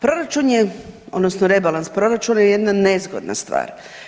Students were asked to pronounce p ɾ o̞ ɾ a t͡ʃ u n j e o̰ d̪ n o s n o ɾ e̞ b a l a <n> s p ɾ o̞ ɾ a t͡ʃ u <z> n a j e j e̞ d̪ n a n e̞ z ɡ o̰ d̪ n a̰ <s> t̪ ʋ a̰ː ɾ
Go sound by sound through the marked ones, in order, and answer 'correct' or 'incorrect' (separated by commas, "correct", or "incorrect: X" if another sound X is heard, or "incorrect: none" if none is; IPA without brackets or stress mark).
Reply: correct, incorrect: none, correct